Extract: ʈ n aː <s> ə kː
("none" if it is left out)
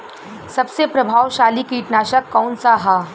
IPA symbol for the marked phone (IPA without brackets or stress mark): ʃ